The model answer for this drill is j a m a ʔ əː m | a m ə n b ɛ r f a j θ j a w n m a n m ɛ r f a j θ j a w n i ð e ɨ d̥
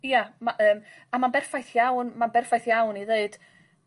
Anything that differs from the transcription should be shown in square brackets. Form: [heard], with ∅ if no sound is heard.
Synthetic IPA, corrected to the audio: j a m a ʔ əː m | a m [a] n b ɛ r f a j θ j a w n m a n [b] ɛ r f a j θ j a w n i ð e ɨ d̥